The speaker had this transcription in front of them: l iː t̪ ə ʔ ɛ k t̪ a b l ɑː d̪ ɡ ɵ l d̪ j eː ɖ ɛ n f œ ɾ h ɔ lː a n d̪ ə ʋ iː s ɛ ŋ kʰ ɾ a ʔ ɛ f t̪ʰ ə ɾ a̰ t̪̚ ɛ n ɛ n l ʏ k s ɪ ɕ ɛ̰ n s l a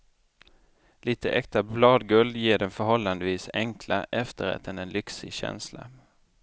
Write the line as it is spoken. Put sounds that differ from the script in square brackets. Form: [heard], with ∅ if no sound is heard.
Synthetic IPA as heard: l iː t̪ ə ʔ ɛ k t̪ a b l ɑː d̪ ɡ ɵ l d̪ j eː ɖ ɛ n f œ ɾ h ɔ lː a n d̪ ə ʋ iː s ɛ ŋ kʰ [l] a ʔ ɛ f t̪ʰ ə ɾ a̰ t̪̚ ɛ n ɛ n l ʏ k s ɪ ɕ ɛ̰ n s l a